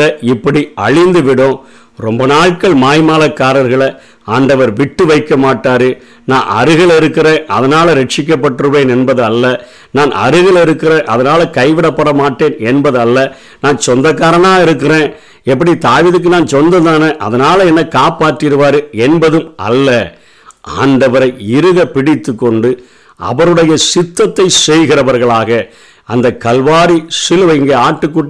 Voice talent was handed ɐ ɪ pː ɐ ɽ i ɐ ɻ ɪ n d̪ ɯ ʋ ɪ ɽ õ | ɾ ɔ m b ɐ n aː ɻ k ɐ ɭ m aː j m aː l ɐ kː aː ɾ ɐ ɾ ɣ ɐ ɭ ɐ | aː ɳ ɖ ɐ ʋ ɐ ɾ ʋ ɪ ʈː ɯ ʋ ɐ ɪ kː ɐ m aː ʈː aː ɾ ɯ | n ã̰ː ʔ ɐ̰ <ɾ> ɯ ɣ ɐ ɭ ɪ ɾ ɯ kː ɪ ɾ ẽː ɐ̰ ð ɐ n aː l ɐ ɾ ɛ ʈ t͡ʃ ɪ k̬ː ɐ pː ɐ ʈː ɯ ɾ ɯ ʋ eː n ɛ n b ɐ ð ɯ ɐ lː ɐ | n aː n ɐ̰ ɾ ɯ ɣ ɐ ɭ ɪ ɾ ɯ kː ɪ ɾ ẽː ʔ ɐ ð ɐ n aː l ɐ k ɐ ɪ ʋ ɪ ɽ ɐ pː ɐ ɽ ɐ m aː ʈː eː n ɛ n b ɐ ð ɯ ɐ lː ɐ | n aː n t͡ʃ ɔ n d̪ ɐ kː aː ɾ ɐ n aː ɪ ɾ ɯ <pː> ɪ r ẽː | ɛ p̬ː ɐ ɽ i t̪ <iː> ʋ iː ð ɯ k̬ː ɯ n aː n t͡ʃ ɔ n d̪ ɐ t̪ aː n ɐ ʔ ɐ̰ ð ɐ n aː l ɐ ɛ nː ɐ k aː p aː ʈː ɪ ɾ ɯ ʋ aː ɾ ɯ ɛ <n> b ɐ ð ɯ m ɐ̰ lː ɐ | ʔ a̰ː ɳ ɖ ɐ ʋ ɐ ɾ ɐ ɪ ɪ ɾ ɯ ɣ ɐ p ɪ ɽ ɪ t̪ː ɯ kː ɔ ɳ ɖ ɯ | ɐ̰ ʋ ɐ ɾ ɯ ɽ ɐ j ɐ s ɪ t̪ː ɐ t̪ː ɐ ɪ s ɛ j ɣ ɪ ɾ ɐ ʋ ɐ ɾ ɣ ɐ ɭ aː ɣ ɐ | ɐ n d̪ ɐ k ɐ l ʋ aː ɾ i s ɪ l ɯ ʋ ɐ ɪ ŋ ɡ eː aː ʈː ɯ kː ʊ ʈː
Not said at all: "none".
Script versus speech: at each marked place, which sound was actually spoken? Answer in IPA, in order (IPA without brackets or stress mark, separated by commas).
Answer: ɾ, kː, aː, n